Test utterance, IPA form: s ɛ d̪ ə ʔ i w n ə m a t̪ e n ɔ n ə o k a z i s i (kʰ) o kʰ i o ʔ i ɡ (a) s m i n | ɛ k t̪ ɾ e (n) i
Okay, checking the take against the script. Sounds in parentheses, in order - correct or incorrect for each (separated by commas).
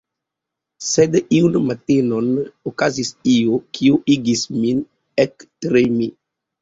incorrect, incorrect, incorrect